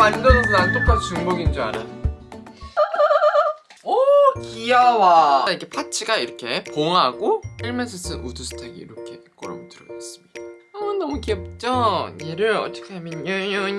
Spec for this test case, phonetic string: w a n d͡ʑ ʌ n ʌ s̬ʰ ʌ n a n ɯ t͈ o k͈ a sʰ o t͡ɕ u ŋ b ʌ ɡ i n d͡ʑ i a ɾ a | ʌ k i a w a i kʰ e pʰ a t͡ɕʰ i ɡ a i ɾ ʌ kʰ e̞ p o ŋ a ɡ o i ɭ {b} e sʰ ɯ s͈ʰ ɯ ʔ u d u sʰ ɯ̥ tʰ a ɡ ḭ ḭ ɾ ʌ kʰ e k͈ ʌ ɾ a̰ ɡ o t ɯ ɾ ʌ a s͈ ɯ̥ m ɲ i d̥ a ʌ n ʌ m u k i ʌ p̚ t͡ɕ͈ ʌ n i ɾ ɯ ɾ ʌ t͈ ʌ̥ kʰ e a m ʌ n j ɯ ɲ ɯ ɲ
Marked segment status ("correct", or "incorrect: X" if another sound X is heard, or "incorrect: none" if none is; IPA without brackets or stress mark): incorrect: m